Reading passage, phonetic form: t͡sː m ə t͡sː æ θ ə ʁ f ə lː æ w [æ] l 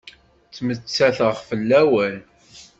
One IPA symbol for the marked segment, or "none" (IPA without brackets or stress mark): æ